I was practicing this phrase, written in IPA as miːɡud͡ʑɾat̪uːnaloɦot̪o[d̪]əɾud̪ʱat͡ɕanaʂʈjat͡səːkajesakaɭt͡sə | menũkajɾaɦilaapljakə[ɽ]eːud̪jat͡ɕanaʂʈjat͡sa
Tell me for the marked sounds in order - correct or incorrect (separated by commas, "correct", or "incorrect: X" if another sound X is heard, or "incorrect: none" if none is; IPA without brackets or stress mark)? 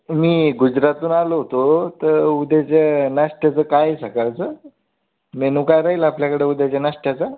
incorrect: t̪, correct